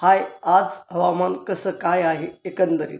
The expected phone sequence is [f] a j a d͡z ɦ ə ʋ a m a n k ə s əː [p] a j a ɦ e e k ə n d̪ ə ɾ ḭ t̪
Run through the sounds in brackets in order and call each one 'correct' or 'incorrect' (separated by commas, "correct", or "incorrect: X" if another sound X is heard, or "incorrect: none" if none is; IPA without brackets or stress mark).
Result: incorrect: h, incorrect: k